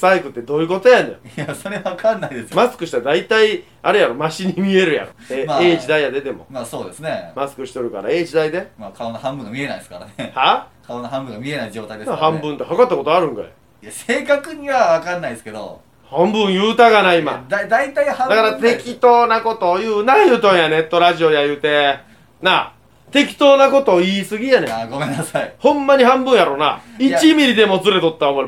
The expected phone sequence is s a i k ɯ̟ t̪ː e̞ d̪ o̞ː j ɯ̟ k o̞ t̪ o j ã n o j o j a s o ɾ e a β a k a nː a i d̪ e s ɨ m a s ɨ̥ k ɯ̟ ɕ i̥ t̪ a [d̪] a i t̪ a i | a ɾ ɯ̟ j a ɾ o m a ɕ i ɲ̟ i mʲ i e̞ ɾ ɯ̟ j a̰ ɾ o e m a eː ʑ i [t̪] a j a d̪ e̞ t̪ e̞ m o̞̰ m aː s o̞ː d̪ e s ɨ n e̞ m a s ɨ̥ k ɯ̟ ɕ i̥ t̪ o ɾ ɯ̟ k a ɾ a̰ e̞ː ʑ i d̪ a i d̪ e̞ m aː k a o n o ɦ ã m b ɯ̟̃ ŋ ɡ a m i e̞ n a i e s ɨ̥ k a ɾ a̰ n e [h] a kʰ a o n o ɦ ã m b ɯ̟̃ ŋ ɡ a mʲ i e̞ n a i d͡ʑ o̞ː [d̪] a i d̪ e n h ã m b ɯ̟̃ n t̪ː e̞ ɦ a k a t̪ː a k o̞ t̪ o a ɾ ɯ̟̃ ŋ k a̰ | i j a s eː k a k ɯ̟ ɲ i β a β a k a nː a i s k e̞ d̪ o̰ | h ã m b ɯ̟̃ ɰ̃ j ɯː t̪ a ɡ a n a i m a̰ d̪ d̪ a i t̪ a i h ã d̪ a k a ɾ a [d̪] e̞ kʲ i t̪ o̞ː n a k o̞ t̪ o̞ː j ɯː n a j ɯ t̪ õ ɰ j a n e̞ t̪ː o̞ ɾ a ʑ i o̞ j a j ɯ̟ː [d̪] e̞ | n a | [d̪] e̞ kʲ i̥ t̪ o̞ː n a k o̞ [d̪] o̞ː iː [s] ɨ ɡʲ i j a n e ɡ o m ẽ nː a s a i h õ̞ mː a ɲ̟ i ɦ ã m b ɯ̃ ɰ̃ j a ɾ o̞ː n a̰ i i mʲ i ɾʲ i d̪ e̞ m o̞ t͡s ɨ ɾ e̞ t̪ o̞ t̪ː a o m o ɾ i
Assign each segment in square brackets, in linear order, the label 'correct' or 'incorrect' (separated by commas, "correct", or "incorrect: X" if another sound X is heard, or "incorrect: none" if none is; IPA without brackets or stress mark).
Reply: correct, incorrect: d̪, correct, incorrect: t̪, incorrect: t̪, incorrect: t̪, incorrect: t̪, incorrect: t̪, correct